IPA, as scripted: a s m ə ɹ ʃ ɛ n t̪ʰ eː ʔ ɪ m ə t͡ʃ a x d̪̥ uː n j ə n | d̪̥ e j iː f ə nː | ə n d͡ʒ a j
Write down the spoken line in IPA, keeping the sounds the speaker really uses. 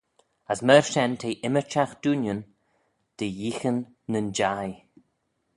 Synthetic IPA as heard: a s m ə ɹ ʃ ɛ n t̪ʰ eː ʔ ɪ m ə t͡ʃ a x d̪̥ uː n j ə n | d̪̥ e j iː x ə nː | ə n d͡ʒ a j